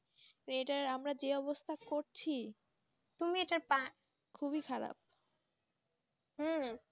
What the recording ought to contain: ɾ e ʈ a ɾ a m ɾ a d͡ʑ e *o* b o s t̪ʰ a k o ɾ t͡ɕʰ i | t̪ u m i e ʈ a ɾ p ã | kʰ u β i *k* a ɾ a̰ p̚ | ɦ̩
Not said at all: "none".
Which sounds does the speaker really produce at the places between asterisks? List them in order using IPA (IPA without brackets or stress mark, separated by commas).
ɔ, kʰ